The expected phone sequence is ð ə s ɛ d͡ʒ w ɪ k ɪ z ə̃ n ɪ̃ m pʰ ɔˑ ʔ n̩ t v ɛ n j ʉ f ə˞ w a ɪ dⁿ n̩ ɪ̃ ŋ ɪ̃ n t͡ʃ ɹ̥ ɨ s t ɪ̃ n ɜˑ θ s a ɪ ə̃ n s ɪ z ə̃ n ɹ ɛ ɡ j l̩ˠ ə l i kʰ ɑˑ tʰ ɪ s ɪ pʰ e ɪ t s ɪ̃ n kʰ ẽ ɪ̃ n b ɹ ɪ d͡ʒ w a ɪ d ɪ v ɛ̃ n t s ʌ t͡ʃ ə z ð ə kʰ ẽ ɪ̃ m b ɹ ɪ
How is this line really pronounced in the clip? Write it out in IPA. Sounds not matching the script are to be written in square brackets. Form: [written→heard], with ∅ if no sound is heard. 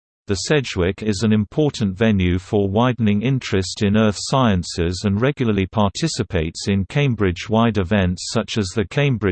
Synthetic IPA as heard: ð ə s ɛ d͡ʒ w ɪ k ɪ z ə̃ n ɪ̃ m pʰ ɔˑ ʔ n̩ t v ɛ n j ʉ f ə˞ w a ɪ dⁿ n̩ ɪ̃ ŋ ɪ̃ n t͡ʃ ɹ̥ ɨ s t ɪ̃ n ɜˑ θ s a ɪ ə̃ n s ɪ z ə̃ n ɹ ɛ ɡ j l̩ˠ ə l i [kʰ→pʰ] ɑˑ tʰ ɪ s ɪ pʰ e ɪ t s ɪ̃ n kʰ ẽ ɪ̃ [n→m] b ɹ ɪ d͡ʒ w a ɪ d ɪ v ɛ̃ n t s ʌ t͡ʃ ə z ð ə kʰ ẽ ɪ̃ m b ɹ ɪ